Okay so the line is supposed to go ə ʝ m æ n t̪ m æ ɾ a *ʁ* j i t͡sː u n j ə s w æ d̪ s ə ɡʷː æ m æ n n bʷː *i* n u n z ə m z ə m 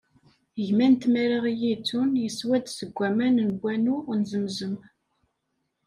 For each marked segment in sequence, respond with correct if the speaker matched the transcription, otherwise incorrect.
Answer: correct, incorrect

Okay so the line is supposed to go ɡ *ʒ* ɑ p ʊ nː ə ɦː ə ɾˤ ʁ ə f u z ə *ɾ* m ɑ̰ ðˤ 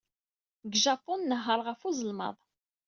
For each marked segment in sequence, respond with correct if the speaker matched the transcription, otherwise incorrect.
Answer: correct, incorrect

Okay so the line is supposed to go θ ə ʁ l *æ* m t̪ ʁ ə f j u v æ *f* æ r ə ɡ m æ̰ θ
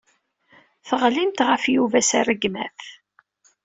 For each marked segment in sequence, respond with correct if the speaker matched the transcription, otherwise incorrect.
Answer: incorrect, incorrect

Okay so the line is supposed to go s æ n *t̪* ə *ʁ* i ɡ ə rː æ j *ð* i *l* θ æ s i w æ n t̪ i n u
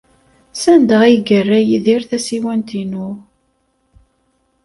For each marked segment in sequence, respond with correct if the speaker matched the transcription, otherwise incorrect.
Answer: incorrect, correct, correct, incorrect

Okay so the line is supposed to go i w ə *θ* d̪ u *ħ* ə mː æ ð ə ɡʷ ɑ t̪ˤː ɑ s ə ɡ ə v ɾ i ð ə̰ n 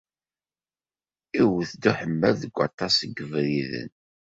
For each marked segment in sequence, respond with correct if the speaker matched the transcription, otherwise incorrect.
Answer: correct, correct

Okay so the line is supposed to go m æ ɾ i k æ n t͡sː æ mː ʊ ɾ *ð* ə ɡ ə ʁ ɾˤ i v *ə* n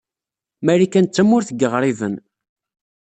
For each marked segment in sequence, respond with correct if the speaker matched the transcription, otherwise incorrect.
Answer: incorrect, correct

